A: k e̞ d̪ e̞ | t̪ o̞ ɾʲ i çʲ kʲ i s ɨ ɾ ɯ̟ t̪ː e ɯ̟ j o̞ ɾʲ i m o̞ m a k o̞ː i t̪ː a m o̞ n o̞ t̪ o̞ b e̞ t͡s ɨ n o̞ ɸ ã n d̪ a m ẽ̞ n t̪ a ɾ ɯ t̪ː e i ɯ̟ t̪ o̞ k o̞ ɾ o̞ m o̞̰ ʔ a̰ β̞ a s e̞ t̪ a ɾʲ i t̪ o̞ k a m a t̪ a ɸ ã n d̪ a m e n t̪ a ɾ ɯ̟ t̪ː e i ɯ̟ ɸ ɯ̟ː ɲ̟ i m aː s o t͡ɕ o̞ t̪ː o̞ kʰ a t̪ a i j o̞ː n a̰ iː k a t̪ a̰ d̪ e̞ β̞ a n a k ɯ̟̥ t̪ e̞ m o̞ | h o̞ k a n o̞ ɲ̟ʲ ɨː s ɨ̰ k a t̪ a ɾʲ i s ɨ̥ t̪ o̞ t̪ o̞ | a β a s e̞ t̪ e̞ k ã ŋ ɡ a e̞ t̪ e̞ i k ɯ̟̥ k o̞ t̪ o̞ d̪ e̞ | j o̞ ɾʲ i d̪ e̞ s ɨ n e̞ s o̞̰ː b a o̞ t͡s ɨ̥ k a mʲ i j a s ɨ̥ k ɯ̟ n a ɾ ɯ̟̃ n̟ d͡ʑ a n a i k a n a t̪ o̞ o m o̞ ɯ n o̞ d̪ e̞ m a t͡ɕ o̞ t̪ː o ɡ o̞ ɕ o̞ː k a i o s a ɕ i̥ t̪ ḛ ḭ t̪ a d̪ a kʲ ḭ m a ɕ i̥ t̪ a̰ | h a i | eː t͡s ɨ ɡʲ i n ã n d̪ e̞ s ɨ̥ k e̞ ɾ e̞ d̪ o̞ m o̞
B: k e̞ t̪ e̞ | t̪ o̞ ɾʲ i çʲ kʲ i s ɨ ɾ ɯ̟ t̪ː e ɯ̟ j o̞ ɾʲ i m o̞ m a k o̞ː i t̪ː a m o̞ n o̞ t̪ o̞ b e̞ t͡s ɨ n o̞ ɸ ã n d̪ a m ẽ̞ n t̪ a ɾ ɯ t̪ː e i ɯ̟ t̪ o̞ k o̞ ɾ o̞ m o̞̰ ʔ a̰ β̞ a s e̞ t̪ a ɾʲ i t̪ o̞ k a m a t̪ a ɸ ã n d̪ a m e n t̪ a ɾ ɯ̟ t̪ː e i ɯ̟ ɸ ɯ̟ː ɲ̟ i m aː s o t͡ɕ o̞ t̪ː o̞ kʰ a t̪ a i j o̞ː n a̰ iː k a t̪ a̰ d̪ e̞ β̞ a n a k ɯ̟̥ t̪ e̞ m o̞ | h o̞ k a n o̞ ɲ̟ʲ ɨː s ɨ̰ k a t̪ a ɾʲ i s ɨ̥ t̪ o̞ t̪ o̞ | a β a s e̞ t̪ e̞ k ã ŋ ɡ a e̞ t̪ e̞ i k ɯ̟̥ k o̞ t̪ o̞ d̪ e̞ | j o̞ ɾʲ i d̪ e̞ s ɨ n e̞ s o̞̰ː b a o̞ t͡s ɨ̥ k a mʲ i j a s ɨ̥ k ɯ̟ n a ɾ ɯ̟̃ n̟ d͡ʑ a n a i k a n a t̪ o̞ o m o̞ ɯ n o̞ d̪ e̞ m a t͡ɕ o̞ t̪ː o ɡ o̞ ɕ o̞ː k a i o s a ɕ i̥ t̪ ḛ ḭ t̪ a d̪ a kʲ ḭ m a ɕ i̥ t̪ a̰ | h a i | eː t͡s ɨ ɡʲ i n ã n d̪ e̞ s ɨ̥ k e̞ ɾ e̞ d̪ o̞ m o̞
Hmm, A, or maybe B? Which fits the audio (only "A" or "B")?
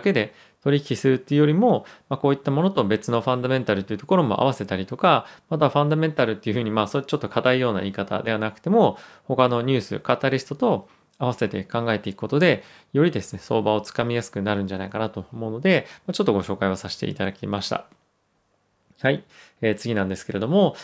A